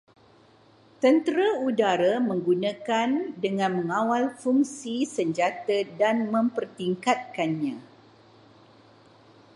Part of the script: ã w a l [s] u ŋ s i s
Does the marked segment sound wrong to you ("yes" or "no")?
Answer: yes